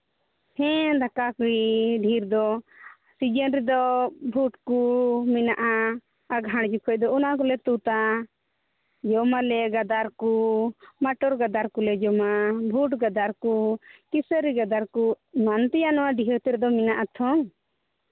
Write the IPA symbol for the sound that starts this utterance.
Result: h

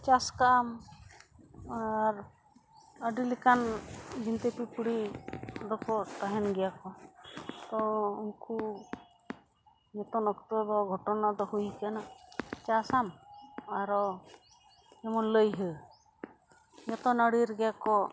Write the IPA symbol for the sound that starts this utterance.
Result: t͡ʃ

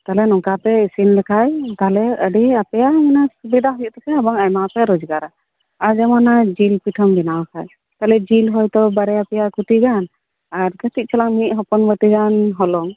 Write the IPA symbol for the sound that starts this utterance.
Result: t̪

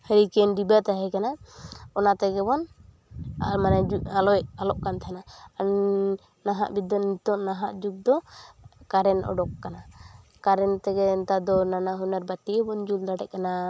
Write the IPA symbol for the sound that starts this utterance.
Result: h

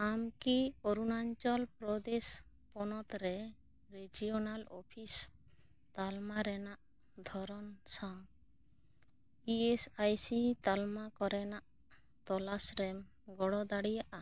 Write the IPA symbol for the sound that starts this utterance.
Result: a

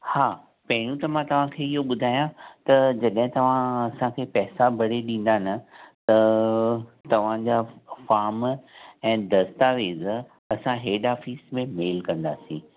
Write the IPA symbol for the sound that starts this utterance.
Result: h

